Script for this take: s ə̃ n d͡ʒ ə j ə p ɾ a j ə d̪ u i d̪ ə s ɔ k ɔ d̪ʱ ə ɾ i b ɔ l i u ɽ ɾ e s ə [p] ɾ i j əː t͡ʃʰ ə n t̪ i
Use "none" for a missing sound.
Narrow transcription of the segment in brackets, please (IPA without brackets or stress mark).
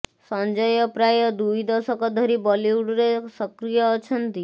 k